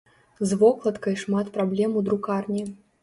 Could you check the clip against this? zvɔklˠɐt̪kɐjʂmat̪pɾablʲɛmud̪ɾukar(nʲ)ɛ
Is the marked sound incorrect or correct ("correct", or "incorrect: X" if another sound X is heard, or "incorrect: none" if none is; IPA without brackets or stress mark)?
correct